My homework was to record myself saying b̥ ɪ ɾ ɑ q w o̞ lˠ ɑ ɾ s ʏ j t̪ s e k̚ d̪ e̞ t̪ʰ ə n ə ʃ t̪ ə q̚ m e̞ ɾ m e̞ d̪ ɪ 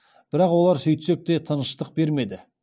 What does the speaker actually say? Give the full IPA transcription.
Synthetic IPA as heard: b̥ ɪ ɾ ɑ q w o̞ lˠ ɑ ɾ s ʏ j t̪ s e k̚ t̪ e̞ t̪ʰ ə n ə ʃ t̪ ə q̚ b e̞ ɾ m e̞ d̪ ɪ